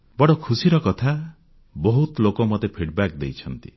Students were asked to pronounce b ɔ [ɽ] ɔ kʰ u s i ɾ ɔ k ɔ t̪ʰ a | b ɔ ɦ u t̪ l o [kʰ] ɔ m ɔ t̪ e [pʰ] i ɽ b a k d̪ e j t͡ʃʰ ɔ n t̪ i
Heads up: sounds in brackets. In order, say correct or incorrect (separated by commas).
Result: correct, incorrect, correct